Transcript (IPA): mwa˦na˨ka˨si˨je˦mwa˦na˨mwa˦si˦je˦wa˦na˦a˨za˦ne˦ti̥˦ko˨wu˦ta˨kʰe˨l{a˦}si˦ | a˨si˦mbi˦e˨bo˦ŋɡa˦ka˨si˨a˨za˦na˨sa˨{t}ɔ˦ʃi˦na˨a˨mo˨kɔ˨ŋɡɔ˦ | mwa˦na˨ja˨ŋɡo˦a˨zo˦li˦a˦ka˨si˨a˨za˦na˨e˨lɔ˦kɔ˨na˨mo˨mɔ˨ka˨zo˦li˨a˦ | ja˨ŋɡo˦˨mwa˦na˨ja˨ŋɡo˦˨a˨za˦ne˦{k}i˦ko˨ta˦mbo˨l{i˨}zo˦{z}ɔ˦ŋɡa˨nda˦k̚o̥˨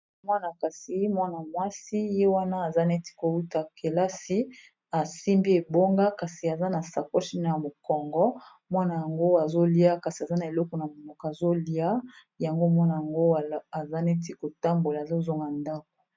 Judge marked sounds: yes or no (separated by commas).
yes, no, no, no, yes